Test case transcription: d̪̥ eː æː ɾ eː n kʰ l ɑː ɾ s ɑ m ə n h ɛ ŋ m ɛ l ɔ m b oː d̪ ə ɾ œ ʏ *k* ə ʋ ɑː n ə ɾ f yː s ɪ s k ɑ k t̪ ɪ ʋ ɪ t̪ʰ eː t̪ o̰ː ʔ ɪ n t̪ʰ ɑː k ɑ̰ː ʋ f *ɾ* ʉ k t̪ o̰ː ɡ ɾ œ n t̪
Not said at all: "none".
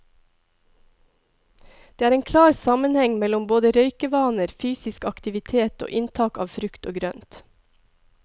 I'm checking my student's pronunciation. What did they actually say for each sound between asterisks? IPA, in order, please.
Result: k, ɾ

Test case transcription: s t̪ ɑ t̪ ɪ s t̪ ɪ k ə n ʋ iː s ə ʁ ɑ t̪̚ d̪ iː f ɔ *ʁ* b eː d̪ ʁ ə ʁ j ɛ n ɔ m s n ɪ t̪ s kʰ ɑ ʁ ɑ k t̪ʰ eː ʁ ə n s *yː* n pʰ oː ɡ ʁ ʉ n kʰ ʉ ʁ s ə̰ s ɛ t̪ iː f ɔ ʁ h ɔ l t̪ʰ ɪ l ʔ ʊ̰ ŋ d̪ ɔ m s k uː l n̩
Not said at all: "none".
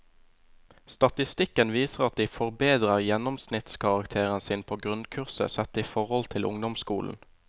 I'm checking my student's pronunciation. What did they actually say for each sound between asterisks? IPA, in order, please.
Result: ʁ, iː

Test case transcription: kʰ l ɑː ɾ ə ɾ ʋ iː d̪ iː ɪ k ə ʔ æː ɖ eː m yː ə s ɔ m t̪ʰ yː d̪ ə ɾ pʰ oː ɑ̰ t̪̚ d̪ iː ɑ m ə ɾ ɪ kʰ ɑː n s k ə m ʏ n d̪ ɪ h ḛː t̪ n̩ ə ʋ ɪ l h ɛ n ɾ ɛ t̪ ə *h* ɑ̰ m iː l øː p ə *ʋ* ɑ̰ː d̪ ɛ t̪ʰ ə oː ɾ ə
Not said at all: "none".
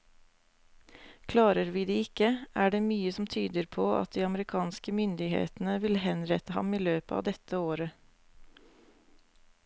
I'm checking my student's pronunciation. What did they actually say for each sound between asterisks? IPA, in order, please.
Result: h, none

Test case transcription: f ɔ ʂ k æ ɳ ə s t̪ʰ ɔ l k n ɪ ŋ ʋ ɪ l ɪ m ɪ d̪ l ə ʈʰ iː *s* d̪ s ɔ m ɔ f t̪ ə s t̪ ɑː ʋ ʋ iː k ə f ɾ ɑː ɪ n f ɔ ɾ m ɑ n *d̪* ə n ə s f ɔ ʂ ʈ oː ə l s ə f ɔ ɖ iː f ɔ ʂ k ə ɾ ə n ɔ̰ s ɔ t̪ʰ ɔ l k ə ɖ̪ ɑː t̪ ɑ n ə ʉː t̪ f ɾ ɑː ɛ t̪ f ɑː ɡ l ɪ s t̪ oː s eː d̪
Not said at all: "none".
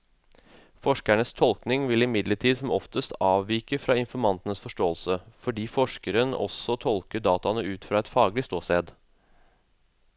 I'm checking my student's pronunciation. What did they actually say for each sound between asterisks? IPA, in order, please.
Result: none, t̪

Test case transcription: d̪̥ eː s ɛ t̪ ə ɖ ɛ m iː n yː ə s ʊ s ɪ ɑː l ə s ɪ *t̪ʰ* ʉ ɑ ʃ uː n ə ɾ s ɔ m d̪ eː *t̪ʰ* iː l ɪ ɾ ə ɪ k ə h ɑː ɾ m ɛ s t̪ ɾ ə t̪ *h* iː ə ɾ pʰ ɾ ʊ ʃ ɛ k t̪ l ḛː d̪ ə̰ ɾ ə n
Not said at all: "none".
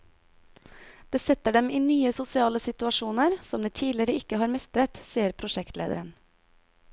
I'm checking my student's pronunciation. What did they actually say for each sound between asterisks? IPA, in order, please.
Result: t̪, t̪ʰ, s

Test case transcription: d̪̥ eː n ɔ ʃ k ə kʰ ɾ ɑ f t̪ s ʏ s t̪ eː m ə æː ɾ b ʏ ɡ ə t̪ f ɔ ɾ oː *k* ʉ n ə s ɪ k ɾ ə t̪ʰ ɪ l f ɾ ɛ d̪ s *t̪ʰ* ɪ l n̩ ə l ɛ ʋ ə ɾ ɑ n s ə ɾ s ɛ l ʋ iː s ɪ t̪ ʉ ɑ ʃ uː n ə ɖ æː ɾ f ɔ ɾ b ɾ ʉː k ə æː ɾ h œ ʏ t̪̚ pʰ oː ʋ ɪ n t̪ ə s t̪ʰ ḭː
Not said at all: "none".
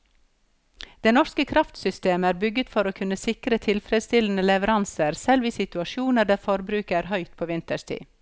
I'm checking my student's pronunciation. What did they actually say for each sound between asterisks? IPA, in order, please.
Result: kʰ, t̪

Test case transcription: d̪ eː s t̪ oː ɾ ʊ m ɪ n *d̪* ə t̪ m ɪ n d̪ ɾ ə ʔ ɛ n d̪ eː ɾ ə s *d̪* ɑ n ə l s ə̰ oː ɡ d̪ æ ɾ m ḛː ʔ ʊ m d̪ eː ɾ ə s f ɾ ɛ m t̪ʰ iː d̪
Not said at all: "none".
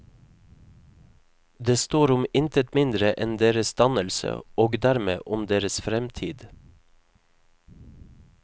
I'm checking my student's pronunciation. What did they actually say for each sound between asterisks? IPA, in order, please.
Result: t̪, d̪

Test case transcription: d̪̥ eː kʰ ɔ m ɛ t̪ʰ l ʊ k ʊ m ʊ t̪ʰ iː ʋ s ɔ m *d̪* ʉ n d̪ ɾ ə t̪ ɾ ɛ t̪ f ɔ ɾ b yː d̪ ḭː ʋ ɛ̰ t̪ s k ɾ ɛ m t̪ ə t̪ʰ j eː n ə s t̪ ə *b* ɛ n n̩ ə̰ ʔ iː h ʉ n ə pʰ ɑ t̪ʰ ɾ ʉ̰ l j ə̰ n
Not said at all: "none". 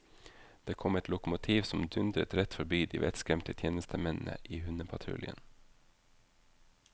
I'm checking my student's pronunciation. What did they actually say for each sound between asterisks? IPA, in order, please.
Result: d̪, m

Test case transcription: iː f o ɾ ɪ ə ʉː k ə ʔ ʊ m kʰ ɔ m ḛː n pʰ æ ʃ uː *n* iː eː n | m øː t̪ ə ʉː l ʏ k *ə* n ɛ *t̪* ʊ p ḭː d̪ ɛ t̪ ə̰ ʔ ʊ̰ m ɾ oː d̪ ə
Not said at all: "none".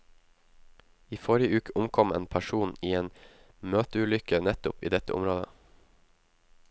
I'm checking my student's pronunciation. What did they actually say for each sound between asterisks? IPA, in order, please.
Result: n, ə, t̪

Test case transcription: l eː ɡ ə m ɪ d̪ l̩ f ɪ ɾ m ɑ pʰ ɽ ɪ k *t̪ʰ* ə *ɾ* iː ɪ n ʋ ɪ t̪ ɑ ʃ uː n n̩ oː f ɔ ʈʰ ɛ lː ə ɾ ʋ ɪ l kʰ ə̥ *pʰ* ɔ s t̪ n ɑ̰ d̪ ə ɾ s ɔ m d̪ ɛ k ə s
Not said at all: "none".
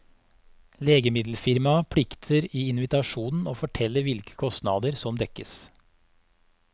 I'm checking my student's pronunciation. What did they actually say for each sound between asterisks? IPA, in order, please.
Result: t̪ʰ, ɾ, kʰ

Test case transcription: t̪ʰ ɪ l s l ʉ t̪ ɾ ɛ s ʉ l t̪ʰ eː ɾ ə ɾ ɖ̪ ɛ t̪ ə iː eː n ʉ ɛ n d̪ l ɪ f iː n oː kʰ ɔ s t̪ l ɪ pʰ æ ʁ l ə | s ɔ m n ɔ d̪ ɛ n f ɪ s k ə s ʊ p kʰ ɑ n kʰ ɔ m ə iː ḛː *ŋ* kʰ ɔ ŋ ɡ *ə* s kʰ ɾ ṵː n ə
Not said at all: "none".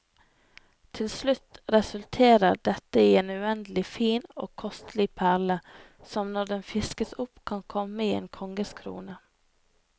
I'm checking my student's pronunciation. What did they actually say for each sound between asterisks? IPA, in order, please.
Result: n, ə

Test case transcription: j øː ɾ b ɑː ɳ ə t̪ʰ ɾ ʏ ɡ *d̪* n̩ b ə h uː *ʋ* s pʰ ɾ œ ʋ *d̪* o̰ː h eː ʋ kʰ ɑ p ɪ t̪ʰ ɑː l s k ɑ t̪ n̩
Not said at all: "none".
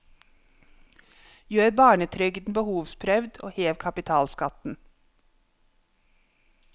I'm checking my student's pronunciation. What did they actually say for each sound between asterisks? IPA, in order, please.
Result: d̪, ʋ, d̪

